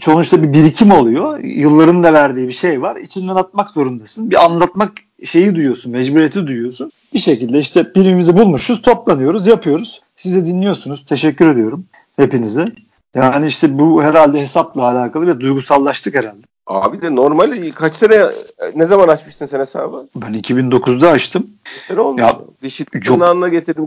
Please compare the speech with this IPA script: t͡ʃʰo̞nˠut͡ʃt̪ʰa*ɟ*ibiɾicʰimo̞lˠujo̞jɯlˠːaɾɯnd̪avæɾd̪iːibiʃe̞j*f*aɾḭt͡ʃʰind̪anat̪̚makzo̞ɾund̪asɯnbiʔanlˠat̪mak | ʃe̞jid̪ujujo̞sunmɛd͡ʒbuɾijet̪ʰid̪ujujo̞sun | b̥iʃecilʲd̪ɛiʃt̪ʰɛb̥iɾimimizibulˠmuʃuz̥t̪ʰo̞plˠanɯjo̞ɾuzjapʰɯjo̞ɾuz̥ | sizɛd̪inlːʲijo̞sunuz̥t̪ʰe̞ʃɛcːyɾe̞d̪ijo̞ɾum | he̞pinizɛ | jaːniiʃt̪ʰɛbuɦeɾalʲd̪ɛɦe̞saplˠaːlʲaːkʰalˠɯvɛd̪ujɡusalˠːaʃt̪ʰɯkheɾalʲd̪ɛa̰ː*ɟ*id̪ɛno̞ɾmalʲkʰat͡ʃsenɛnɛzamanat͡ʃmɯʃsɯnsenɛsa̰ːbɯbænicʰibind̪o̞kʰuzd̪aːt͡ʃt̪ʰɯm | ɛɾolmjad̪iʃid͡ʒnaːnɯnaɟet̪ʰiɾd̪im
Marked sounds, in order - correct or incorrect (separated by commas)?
incorrect, incorrect, incorrect